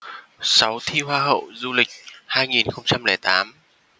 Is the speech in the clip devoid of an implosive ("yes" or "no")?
yes